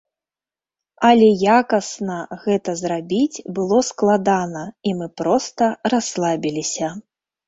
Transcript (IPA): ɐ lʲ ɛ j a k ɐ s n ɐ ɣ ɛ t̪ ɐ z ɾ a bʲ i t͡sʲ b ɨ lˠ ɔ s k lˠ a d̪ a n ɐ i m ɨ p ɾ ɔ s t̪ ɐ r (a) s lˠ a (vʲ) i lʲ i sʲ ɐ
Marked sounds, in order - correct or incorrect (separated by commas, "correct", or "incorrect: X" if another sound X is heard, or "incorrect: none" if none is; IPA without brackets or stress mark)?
correct, incorrect: bʲ